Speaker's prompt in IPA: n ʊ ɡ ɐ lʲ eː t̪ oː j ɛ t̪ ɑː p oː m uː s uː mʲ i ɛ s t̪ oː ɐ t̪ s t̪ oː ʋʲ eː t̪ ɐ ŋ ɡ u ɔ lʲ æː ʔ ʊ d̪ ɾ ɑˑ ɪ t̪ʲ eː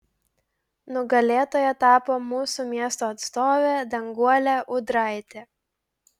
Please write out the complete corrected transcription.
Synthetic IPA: n ʊ ɡ ɐ lʲ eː t̪ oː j ɛ t̪ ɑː p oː m uː s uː mʲ i ɛ s t̪ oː ɐ t̪ s t̪ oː ʋʲ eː d̪ ɐ ŋ ɡ u ɔ lʲ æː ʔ ʊ d̪ ɾ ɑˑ ɪ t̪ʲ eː